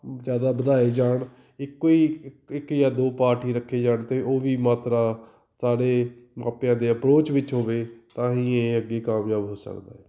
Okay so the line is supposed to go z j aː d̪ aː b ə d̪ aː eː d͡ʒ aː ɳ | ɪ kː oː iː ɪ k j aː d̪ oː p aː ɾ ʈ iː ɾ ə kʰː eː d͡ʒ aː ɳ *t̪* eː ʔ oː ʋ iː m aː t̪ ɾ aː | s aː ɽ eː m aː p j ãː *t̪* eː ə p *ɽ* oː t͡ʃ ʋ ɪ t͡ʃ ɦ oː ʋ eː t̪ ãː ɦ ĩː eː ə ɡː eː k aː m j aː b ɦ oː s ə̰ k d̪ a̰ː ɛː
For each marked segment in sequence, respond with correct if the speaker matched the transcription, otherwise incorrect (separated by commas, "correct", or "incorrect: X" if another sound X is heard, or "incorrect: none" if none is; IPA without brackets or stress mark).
correct, incorrect: d̪, incorrect: ɾ